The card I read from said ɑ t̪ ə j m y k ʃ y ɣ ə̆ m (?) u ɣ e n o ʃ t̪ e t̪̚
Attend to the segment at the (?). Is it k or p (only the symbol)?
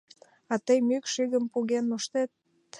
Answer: p